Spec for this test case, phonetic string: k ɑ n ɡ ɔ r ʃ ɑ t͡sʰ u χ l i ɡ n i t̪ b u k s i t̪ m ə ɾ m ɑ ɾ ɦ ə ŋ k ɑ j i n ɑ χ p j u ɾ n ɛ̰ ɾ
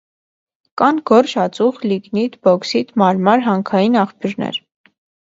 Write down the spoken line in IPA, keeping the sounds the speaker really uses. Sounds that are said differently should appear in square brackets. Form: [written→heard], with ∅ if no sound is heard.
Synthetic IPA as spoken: k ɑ n ɡ ɔ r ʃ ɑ [t͡sʰ→t͡s] u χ l i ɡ n i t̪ b [u→ɔ] k s i t̪ m [ə→ɑ] ɾ m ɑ ɾ ɦ [ə→ɑ] ŋ [k→kʰ] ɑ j i n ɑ χ p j u ɾ n ɛ̰ ɾ